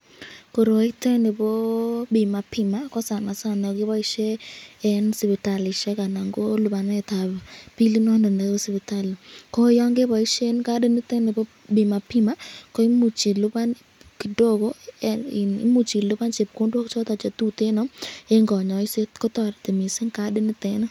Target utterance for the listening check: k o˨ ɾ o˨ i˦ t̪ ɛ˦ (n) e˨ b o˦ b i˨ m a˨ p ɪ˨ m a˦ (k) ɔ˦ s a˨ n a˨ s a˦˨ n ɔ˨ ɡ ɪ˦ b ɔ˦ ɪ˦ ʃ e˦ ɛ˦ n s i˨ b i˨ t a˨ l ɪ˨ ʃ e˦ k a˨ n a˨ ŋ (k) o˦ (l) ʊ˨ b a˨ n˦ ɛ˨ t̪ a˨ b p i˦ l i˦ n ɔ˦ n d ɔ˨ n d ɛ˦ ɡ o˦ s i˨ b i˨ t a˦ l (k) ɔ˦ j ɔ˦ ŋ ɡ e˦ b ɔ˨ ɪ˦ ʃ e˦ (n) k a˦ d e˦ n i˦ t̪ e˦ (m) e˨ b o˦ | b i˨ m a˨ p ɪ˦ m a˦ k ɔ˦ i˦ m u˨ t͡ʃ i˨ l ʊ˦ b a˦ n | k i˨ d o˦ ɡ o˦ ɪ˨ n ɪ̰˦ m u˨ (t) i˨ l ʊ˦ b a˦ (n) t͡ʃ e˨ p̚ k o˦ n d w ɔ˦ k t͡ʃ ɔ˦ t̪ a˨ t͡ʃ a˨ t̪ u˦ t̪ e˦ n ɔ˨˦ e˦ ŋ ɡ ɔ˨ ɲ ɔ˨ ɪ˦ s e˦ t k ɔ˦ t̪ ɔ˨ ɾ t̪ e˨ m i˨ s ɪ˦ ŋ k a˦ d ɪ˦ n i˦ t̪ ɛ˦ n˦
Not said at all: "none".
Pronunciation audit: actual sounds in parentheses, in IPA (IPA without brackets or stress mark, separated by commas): n, k, ɡ, l, k, n, n, t͡ʃ, n